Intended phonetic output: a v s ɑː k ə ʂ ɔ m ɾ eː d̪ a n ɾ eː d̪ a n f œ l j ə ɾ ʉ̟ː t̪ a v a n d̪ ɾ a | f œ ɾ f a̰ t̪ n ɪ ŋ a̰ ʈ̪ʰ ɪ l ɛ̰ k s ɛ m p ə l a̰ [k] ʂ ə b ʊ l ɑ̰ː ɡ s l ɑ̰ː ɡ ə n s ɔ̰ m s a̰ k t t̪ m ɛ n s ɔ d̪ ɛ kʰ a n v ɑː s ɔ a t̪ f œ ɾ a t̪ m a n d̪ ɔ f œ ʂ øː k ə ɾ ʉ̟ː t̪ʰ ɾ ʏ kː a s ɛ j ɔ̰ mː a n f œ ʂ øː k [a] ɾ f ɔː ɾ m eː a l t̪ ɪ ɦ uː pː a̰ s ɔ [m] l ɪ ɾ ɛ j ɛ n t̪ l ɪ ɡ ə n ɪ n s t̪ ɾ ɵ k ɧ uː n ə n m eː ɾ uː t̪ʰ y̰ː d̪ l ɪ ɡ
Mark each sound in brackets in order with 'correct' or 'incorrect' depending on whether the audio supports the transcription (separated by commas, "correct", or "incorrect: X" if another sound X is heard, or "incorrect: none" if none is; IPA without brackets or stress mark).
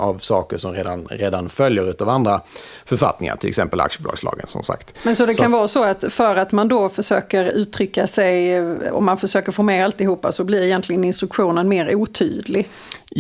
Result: correct, incorrect: ə, incorrect: b